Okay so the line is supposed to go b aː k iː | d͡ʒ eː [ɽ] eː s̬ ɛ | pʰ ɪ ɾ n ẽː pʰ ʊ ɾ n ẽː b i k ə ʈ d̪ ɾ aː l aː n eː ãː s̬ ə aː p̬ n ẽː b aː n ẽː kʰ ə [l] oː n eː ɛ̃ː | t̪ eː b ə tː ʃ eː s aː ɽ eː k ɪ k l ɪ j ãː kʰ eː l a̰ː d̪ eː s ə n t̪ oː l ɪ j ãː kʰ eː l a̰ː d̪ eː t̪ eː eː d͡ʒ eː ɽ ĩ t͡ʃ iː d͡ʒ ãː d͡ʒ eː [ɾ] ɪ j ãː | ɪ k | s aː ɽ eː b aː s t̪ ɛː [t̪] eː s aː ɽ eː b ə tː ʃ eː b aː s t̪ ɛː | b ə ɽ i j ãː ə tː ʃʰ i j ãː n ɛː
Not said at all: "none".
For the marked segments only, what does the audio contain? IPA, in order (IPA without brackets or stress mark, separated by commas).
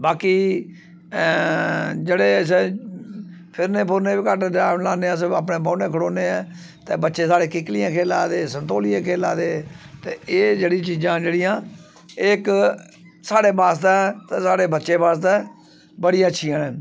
ɽ, ɽ, ɽ, t̪